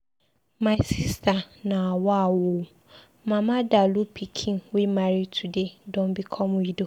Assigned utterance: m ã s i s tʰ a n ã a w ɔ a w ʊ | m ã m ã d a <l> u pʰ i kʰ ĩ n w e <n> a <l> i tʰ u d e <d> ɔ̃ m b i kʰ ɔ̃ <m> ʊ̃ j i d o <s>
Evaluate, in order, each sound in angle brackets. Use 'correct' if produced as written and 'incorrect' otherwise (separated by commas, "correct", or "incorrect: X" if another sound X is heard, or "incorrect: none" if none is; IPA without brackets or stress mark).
correct, incorrect: m, incorrect: ɾ, correct, correct, incorrect: none